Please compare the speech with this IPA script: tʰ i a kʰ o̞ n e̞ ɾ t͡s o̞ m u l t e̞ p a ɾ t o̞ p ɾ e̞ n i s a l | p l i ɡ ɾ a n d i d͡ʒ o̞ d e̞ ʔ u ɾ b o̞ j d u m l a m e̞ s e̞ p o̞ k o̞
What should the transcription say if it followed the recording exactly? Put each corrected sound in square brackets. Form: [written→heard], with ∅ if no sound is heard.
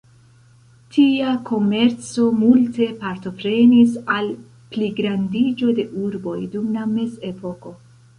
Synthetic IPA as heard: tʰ i a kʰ o̞ [n→m] e̞ ɾ t͡s o̞ m u l t e̞ p a ɾ t o̞ p ɾ e̞ n i s a l | p l i ɡ ɾ a n d i d͡ʒ o̞ d e̞ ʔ u ɾ b o̞ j d u m l a m e̞ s e̞ p o̞ k o̞